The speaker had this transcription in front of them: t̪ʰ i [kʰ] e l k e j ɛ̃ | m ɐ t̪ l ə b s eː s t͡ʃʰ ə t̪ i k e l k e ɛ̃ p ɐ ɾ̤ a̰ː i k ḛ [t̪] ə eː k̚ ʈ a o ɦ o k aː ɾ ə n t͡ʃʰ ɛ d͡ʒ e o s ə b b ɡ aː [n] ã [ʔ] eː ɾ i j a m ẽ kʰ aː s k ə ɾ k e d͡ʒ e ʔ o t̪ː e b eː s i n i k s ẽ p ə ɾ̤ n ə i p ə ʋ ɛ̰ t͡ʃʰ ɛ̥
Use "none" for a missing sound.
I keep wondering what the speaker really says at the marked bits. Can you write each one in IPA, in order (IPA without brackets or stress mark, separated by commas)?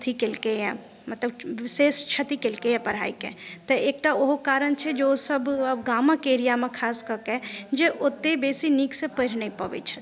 k, t̪, m, k